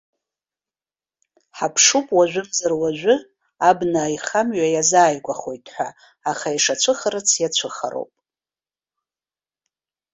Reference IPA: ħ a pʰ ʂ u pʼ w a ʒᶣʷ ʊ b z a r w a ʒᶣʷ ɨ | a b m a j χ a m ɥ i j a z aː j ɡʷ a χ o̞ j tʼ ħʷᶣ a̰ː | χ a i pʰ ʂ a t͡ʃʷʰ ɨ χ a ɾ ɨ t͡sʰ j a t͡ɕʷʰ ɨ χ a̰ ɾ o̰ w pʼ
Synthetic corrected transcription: ħ a pʰ ʂ u pʼ w a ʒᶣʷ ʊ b z a r w a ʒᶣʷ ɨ | a b n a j χ a m ɥ a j a z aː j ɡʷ a χ o̞ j tʼ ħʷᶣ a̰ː | χ a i ʂ a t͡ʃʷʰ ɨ χ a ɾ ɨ t͡sʰ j a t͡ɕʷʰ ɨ χ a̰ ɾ o̰ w pʼ